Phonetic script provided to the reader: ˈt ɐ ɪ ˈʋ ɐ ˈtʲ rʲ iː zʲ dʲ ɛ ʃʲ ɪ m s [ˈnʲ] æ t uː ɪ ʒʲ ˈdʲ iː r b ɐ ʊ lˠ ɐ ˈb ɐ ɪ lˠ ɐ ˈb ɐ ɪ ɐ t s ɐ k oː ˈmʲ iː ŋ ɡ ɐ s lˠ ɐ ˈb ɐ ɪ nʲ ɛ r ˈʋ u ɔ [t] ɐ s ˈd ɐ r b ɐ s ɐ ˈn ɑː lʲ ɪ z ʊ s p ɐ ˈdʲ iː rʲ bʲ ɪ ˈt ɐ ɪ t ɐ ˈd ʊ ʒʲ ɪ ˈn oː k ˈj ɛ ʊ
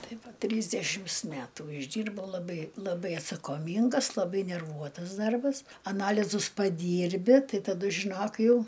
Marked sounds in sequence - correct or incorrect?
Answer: incorrect, correct

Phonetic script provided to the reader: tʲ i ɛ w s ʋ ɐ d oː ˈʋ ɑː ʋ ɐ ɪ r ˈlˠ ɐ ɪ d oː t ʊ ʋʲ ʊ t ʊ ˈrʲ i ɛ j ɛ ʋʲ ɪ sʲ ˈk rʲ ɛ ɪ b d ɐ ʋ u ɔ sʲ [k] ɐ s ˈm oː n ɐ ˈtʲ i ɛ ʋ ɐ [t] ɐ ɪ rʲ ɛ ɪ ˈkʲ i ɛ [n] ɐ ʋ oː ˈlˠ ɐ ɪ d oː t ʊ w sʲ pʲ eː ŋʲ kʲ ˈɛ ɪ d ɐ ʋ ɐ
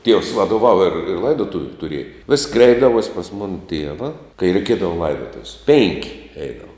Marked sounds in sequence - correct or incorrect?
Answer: incorrect, incorrect, incorrect

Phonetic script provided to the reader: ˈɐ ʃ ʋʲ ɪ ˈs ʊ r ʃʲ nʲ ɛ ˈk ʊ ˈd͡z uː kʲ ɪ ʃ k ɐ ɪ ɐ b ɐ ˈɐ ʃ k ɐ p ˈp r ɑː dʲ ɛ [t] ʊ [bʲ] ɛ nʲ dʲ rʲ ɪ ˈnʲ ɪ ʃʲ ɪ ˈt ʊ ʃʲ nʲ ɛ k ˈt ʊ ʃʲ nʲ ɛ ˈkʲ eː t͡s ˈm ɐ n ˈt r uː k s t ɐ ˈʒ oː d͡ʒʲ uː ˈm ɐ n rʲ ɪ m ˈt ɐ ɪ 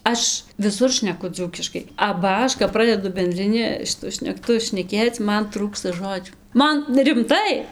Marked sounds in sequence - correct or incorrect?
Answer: incorrect, correct

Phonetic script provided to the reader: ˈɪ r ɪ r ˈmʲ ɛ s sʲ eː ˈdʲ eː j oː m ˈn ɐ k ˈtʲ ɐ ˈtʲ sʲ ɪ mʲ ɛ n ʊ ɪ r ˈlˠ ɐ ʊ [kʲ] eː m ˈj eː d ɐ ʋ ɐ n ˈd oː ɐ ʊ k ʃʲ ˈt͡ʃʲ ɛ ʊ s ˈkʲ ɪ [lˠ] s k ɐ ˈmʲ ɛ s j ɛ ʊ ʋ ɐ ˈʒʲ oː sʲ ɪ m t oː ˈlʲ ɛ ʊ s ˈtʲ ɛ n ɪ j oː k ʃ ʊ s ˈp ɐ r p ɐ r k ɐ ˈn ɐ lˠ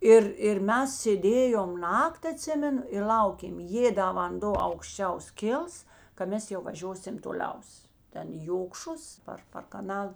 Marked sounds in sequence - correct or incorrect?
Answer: correct, correct

